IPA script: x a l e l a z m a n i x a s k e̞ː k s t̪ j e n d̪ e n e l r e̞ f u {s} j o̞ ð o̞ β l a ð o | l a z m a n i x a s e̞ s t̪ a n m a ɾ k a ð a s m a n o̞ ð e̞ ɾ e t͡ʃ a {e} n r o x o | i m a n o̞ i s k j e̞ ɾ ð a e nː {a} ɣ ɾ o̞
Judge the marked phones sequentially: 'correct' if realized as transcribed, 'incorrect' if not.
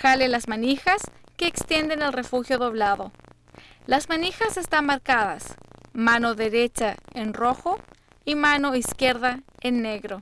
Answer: incorrect: x, correct, incorrect: e

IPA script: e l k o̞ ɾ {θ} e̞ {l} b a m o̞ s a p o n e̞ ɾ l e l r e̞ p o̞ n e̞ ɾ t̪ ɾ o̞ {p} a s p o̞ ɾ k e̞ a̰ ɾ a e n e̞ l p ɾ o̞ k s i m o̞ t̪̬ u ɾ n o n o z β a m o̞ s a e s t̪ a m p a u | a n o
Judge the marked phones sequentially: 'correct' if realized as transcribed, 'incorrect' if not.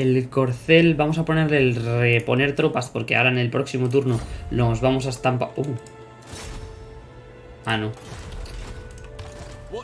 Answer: correct, correct, correct

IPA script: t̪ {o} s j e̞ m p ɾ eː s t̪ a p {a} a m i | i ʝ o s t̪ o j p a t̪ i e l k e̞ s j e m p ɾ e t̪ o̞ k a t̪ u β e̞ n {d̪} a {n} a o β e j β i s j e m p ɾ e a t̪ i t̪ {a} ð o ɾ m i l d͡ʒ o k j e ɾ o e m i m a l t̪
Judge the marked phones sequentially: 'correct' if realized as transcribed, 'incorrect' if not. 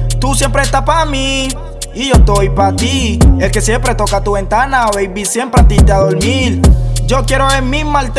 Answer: incorrect: u, correct, incorrect: t̪, correct, correct

